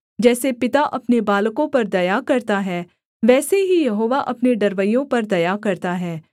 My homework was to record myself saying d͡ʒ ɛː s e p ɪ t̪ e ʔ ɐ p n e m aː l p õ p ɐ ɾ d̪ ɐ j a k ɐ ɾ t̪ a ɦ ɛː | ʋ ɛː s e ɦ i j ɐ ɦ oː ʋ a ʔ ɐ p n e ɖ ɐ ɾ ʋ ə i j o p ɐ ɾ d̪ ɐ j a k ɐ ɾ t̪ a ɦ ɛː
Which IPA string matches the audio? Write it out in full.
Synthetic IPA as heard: d͡ʒ ɛː s e p ɪ t̪ a ʔ ɐ p n e b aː l k õ p ɐ ɾ d̪ ɐ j a k ɐ ɾ t̪ a ɦ ɛː | ʋ ɛː s e ɦ i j ɐ ɦ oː ʋ a ʔ ɐ p n e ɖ ɐ ɾ ʋ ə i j õ p ɐ ɾ d̪ ɐ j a k ɐ ɾ t̪ a ɦ ɛː